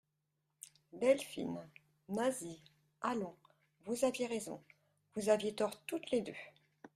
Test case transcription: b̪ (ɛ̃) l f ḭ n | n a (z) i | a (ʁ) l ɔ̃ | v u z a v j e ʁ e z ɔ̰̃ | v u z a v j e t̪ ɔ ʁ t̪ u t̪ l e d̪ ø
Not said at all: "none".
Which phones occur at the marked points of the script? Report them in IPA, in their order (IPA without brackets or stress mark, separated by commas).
ɛ, z, none